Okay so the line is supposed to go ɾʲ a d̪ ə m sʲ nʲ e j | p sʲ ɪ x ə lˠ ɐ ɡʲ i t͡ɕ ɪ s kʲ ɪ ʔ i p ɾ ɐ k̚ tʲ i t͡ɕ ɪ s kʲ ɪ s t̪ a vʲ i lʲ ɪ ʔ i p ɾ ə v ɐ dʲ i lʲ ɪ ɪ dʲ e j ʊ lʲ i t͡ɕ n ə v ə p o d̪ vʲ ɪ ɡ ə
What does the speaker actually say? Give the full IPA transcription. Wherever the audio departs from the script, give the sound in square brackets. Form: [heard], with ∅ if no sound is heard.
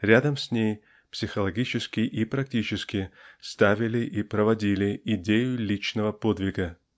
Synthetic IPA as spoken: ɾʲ a d̪ ə m sʲ nʲ e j | p sʲ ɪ x ə lˠ ɐ ɡʲ i t͡ɕ ɪ s kʲ ɪ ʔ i p ɾ ɐ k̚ tʲ i t͡ɕ ɪ s kʲ ɪ s t̪ a vʲ [ɪ] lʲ ɪ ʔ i p ɾ ə v ɐ dʲ i lʲ ɪ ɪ dʲ e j ʊ lʲ i t͡ɕ n ə v ə p o d̪ vʲ ɪ ɡ ə